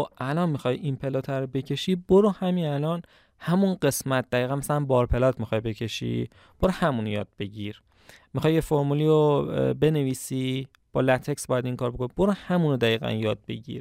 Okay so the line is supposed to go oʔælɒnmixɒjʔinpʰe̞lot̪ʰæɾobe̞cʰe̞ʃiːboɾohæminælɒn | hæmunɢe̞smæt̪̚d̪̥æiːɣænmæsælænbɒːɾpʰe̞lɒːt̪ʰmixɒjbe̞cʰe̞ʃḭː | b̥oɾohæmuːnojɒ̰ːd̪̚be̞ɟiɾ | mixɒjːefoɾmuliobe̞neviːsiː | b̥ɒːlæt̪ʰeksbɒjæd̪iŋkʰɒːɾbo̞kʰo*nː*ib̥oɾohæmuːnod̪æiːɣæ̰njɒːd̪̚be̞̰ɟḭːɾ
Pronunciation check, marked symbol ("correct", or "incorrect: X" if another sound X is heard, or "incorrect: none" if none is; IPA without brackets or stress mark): incorrect: n